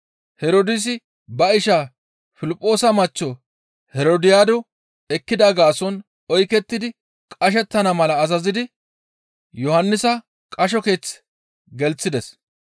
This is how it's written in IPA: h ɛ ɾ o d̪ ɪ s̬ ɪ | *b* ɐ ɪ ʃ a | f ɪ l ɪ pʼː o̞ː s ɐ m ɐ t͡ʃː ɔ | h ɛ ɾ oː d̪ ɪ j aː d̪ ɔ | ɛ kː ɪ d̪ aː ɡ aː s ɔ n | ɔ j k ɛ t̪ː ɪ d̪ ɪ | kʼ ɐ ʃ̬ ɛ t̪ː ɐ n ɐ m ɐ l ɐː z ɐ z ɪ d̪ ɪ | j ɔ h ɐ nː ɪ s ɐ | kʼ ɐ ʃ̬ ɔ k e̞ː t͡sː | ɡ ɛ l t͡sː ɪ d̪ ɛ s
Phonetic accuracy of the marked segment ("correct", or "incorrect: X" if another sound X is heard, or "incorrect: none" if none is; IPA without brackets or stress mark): correct